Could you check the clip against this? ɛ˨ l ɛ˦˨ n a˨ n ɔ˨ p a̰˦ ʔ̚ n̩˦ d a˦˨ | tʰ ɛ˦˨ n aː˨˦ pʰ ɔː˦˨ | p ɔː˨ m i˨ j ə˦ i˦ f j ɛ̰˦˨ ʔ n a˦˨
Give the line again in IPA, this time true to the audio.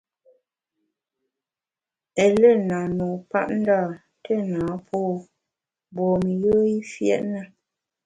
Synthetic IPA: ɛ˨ l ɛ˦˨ n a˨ n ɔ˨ p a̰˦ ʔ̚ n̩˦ d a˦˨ | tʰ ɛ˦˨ n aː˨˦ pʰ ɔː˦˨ | b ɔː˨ m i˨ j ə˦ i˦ f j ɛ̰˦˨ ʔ n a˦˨

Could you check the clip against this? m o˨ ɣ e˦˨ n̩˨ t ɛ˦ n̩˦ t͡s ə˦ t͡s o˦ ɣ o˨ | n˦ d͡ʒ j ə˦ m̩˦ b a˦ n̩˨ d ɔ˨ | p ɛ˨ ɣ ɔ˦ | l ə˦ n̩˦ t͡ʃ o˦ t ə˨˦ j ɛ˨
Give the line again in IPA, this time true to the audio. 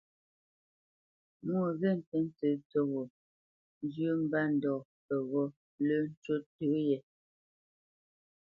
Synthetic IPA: m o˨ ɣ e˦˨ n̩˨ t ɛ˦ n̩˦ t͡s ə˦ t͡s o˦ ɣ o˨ | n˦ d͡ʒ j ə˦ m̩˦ b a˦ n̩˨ d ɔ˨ | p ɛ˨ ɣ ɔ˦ | l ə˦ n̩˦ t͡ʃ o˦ t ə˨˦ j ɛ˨

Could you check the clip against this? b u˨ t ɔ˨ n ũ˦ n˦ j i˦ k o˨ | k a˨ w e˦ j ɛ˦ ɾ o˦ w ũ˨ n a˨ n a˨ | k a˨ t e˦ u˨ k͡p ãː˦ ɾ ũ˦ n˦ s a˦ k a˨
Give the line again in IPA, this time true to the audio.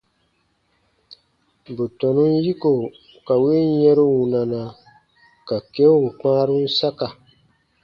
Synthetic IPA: b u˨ t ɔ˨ n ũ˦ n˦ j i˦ k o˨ | k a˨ w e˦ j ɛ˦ ɾ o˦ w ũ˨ n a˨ n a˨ | k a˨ k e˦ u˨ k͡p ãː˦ ɾ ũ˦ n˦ s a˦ k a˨

